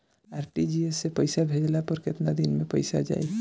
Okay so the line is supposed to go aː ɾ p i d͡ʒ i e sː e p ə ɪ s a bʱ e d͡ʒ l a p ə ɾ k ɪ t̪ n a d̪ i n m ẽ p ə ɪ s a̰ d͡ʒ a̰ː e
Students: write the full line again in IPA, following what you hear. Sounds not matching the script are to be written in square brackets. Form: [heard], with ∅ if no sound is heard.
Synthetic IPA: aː ɾ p i d͡ʒ i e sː e p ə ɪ s a bʱ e d͡ʒ l a p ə ɾ k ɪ t̪ n a d̪ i n m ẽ p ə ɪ s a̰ d͡ʒ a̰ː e